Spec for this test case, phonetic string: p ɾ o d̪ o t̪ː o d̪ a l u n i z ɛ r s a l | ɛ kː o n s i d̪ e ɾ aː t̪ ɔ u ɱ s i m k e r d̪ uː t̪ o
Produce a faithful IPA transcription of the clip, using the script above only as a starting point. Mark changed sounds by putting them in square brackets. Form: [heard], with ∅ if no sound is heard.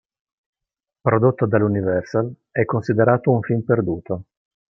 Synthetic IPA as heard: p ɾ o d̪ o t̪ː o d̪ a l u n i [v] ɛ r s a l | ɛ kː o n s i d̪ e ɾ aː t̪ [o] u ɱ [f] i m [p] e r d̪ uː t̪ o

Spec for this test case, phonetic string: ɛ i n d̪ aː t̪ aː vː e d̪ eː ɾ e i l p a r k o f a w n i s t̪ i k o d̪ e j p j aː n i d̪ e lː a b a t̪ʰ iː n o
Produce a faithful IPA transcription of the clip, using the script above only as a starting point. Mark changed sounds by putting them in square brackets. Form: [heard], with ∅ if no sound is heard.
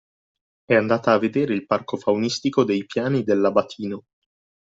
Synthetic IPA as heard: ɛ [a] n d̪ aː t̪ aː vː e d̪ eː ɾ e i l p a r k o f a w n i s t̪ i k o d̪ e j p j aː n i d̪ e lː a b a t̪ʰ iː n o

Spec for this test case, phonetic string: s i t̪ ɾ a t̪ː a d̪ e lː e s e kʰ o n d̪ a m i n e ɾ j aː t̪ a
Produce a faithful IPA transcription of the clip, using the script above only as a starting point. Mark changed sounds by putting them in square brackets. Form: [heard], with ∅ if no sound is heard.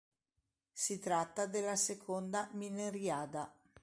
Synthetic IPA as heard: s i t̪ ɾ a t̪ː a d̪ e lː [a] s e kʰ o n d̪ a m i n e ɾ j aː [d̪] a

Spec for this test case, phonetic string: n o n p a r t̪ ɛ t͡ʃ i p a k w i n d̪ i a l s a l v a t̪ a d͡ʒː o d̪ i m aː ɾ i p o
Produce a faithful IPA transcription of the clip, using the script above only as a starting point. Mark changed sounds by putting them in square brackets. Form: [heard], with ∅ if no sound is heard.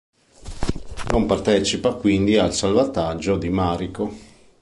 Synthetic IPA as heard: n o [m] p a r t̪ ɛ t͡ʃ i p a k w i n d̪ i a l s a l v a t̪ a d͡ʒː o d̪ i m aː ɾ i [k] o

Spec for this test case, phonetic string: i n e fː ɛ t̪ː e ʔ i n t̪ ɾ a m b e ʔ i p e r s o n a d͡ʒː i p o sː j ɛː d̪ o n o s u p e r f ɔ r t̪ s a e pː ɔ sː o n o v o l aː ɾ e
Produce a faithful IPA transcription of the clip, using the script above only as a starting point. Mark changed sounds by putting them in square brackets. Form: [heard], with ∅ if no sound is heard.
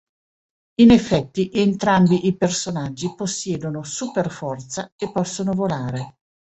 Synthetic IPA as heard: i n e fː ɛ t̪ː [i] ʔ [e] n t̪ ɾ a m b [i] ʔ i p e r s o n a d͡ʒː i p o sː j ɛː d̪ o n o s u p e r f ɔ r t̪ s a e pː ɔ sː o n o v o l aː ɾ e

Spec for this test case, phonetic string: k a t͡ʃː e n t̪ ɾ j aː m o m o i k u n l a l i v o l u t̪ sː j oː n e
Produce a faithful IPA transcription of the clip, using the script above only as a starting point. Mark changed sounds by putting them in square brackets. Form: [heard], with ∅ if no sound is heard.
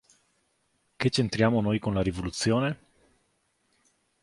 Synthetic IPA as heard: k [e] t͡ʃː e n t̪ ɾ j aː m o [n] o [j] k [o] n l a [ɾ] i v o l u t̪ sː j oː n e

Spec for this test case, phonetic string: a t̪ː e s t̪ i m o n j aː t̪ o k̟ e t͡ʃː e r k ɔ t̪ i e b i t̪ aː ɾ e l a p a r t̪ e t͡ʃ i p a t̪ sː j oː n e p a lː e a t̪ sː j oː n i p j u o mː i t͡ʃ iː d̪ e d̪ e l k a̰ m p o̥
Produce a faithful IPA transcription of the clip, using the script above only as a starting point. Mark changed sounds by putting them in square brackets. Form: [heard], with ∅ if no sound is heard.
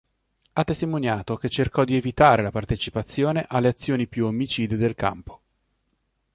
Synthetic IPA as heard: a t̪ː e s t̪ i m o n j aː t̪ o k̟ e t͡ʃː e r k ɔ [d̪] i e [v] i t̪ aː ɾ e l a p a r t̪ e t͡ʃ i p a t̪ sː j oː n e [ʔ] a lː e a t̪ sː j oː n i p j u o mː i t͡ʃ iː d̪ e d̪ e l k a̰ m p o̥

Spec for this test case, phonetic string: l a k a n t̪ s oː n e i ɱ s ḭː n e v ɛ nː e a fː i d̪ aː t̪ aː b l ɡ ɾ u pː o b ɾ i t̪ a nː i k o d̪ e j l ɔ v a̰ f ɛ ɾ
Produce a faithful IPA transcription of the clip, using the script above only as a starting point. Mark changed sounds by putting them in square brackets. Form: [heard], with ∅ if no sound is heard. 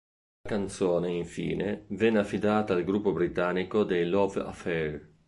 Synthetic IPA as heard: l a k a n t̪ s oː n e i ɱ [f] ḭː n e v ɛ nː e a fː i d̪ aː t̪ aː [∅] l ɡ ɾ u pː o b ɾ i t̪ a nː i k o d̪ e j l ɔ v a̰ f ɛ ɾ

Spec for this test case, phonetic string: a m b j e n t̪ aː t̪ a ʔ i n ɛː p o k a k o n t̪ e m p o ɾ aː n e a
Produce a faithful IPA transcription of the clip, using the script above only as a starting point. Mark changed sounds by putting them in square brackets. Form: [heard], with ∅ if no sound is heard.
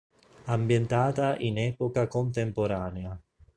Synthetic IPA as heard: a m b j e n t̪ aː t̪ a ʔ i n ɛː p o k a k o n t̪ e m p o ɾ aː n e a

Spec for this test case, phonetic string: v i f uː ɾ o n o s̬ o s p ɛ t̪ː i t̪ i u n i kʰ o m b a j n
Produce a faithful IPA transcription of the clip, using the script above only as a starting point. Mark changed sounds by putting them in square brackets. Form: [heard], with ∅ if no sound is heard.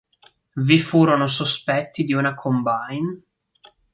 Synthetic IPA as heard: v i f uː ɾ o n o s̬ o s p ɛ t̪ː i [d̪] i u n [a] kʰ o m b a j n

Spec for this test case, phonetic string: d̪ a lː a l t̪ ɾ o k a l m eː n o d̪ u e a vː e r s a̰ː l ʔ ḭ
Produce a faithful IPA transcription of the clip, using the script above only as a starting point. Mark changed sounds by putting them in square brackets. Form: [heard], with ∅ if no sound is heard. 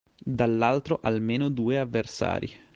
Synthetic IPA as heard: d̪ a lː a l t̪ ɾ o [ʔ] a l m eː n o d̪ [uː] e a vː e r s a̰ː [ɾ] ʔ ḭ

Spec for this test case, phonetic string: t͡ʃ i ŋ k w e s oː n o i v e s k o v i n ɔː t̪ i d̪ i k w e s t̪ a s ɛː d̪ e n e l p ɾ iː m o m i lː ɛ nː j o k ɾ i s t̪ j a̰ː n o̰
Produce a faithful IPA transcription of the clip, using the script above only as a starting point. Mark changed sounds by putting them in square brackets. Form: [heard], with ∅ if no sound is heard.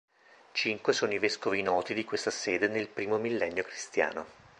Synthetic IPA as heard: t͡ʃ i ŋ k w e s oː n o i v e s k o v i n ɔː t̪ i d̪ i k w e s t̪ a s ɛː d̪ e n e l p ɾ iː m o m i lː ɛ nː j o k ɾ i s t̪ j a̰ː n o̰

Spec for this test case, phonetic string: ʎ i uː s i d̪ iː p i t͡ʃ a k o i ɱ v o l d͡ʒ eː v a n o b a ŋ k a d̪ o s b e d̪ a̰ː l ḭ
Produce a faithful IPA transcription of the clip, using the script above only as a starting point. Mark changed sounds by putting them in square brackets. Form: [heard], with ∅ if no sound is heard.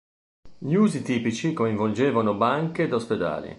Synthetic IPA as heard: ʎ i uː [z] i [t̪] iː p i t͡ʃ [i] k o i ɱ v o l d͡ʒ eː v a n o b a ŋ k [e] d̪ o s [p] e d̪ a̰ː l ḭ

